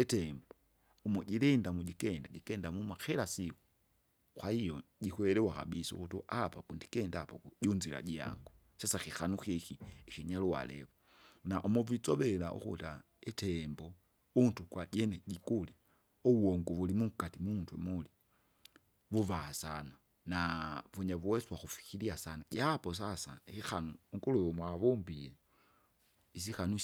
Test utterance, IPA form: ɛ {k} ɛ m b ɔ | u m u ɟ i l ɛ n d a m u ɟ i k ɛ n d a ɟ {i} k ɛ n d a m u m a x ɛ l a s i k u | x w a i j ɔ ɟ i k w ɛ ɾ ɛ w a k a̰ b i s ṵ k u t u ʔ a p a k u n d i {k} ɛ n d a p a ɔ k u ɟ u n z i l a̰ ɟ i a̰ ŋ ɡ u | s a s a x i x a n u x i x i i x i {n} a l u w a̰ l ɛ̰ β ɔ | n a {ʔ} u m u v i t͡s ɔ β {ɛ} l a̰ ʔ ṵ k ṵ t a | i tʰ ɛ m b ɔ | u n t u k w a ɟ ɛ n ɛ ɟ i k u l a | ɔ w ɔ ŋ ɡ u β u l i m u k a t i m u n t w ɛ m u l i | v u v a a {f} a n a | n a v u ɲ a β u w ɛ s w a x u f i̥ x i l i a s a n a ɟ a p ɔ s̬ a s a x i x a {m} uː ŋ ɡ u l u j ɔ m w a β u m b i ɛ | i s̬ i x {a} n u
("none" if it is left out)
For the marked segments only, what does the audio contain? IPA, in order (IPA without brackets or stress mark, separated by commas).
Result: t, i, k, ɲ, ʔ, ɛ, s, n, a